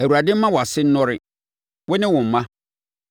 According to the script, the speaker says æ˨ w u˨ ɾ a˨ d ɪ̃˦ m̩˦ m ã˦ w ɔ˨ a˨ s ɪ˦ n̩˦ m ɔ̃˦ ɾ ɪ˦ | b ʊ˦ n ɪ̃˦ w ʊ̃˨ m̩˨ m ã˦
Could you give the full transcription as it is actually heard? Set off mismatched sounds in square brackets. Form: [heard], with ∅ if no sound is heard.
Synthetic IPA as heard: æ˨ w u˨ ɾ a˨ d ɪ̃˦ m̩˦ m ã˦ w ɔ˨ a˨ s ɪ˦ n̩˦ [n] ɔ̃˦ ɾ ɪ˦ | [w] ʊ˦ n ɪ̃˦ w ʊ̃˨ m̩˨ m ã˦